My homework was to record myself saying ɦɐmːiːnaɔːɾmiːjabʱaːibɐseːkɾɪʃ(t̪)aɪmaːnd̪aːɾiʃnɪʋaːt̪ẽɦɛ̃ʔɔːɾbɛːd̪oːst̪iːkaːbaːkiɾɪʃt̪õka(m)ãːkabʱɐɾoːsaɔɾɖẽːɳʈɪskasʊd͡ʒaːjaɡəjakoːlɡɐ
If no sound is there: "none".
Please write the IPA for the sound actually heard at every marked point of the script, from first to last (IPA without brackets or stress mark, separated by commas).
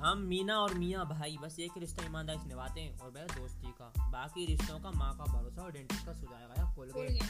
t̪, m